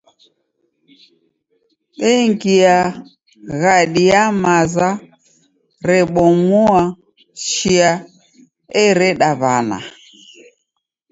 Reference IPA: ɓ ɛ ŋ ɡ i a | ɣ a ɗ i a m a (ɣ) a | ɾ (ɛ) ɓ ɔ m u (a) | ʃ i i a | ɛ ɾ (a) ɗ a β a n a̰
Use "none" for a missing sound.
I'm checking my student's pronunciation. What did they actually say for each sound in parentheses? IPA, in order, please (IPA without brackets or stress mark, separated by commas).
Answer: z, ɛ, a, ɛ